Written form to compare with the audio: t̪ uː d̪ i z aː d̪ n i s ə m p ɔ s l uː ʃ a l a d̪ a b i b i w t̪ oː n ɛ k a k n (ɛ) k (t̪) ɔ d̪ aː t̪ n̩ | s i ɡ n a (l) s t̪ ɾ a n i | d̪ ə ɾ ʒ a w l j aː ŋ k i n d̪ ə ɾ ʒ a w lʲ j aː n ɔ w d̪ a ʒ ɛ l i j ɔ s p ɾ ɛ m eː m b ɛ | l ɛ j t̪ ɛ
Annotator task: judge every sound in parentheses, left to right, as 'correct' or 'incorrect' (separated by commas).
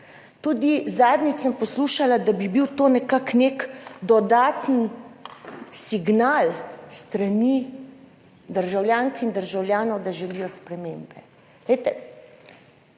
incorrect, incorrect, correct